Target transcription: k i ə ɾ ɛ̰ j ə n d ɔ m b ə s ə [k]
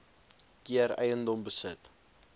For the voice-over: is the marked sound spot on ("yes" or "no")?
no